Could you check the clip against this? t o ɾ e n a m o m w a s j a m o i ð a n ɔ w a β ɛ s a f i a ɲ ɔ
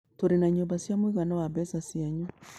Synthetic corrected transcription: t o ɾ e n a ɲ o m b a s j a m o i ɣ a n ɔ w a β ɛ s a s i a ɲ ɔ